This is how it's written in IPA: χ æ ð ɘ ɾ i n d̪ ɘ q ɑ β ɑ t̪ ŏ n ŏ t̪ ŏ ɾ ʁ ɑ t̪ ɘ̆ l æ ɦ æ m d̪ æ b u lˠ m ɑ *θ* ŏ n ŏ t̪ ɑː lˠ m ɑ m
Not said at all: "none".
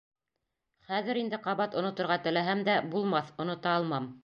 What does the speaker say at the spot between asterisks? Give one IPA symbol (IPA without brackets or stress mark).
θ